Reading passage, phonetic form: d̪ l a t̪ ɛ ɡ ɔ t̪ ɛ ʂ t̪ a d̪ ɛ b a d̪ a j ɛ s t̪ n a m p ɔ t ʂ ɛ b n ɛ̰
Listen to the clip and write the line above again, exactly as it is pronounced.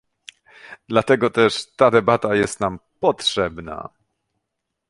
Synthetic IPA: d̪ l a t̪ ɛ ɡ ɔ t̪ ɛ ʂ t̪ a d̪ ɛ b a t̪ a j ɛ s t̪ n a m p ɔ t ʂ ɛ b n a̰